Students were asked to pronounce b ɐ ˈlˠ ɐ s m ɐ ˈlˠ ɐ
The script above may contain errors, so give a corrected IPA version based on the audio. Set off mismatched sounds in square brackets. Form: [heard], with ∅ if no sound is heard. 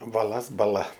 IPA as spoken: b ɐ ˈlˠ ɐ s [b] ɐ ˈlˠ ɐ